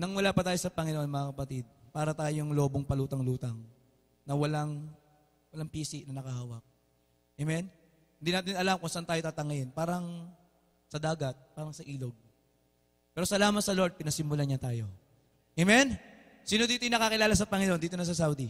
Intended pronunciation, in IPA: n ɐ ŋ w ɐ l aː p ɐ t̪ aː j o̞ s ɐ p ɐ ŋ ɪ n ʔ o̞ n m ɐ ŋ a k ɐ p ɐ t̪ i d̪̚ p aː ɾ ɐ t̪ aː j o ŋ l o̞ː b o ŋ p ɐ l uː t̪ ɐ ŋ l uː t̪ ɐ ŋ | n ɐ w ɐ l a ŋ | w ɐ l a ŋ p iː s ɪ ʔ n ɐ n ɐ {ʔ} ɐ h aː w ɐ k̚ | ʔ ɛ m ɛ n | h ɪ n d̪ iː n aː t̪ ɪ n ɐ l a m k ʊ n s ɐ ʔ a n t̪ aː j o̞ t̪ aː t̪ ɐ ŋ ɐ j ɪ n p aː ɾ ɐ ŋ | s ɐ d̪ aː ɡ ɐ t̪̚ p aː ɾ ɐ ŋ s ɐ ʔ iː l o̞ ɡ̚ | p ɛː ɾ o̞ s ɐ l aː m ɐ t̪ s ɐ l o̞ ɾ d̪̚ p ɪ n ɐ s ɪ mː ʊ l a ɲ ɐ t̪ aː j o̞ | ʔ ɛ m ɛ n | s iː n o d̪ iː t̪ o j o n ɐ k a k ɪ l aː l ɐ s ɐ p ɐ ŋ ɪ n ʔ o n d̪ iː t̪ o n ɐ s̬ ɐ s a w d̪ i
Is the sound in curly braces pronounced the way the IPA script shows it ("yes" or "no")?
no